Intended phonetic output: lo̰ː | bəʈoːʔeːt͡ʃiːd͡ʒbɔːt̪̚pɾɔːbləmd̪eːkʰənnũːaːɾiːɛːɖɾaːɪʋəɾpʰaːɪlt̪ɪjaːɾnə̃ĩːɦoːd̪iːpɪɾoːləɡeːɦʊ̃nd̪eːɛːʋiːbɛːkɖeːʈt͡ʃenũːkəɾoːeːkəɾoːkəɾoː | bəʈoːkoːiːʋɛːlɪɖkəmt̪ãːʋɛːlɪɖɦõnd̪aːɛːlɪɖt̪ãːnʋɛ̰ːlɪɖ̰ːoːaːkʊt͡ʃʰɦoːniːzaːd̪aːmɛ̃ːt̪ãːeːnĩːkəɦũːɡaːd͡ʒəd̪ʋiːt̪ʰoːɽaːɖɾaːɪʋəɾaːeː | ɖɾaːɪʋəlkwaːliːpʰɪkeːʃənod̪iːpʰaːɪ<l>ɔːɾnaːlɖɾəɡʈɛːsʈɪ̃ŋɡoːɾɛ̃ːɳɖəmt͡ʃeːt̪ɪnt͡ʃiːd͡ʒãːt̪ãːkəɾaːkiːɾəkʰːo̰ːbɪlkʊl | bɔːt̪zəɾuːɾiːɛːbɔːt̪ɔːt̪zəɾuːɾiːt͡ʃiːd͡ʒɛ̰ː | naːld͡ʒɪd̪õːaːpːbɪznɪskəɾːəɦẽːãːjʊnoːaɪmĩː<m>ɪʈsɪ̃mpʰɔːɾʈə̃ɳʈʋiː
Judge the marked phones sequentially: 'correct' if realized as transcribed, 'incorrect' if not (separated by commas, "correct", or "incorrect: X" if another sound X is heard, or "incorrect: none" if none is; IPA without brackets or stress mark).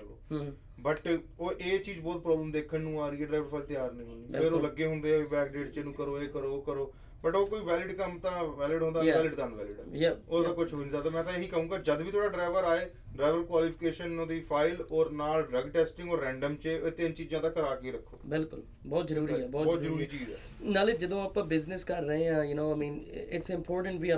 correct, incorrect: n